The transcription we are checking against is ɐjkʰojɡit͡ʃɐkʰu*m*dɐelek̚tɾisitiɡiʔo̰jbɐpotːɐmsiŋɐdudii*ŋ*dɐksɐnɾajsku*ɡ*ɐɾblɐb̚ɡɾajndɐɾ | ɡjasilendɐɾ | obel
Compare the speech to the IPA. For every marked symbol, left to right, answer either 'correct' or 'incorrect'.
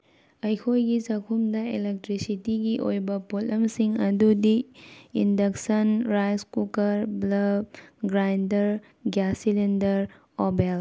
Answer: correct, incorrect, incorrect

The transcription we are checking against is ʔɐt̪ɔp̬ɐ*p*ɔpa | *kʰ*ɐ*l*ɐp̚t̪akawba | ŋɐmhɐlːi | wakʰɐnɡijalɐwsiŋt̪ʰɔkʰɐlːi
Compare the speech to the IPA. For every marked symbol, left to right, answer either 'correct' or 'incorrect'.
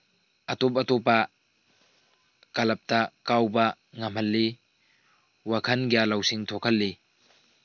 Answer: incorrect, incorrect, correct

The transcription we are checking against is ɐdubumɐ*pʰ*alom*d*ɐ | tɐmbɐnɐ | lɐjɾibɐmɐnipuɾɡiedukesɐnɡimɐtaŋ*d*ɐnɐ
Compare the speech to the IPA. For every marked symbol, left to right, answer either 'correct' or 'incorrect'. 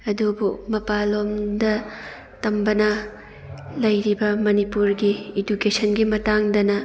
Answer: incorrect, correct, correct

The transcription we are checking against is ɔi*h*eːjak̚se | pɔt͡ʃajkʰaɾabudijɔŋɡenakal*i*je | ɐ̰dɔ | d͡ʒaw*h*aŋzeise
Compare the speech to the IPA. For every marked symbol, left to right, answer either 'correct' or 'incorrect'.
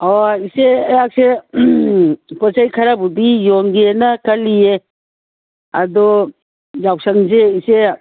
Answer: incorrect, correct, incorrect

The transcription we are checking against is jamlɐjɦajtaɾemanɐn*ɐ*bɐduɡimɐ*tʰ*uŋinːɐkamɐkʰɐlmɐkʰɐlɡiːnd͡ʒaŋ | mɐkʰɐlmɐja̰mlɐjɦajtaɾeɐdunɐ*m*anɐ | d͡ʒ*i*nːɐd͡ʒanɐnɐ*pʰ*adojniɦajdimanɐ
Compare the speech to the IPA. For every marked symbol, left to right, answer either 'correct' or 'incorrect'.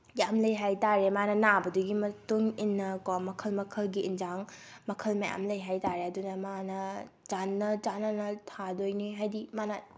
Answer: incorrect, incorrect, correct, incorrect, incorrect

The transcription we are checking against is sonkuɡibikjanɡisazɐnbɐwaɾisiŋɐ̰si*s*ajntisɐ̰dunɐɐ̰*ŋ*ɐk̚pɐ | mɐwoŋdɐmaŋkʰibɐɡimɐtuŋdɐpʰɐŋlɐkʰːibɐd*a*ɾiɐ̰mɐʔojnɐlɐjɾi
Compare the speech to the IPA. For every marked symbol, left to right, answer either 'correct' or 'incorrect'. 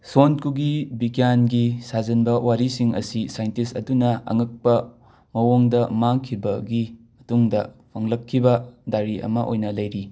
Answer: correct, correct, correct

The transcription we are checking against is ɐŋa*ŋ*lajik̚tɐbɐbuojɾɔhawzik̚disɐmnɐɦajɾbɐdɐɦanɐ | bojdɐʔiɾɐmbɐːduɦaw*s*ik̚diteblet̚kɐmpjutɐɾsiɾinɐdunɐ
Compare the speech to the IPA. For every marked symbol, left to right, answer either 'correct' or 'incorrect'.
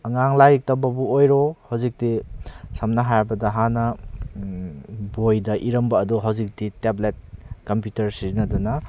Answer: correct, incorrect

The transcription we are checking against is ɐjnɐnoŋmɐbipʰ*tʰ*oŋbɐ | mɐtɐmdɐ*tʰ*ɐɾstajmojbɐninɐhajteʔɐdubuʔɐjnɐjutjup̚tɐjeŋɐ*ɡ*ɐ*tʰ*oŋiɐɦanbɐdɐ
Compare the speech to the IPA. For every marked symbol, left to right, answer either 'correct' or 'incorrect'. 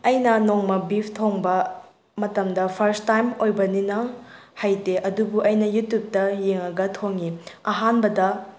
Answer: correct, incorrect, correct, correct

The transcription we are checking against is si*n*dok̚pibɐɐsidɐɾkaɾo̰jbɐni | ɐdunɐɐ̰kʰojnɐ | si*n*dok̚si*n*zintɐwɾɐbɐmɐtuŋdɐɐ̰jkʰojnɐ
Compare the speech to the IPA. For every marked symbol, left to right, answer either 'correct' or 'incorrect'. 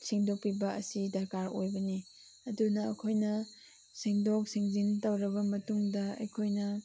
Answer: incorrect, incorrect, incorrect

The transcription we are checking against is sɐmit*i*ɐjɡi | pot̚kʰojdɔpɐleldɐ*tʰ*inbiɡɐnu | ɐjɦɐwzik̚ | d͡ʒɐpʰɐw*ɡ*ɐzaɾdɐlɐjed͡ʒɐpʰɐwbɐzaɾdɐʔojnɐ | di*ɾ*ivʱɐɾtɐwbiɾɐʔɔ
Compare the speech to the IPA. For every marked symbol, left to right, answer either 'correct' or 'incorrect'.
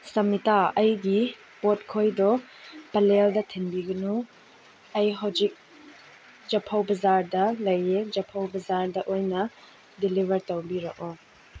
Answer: incorrect, correct, incorrect, incorrect

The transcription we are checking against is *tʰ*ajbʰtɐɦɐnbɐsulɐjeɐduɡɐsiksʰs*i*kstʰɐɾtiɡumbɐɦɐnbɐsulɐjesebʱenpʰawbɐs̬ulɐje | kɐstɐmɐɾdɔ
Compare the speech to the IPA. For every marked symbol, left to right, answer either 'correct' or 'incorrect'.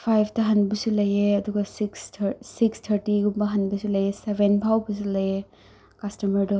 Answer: incorrect, correct

